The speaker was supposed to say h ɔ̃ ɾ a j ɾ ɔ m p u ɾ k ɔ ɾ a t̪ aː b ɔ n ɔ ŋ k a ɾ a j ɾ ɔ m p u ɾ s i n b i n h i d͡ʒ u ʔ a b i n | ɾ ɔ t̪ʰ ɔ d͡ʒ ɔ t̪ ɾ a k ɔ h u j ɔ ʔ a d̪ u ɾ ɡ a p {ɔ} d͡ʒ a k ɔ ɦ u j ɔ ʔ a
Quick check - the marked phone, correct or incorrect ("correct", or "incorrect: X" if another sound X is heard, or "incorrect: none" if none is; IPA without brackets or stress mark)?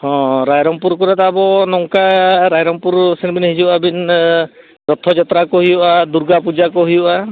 incorrect: u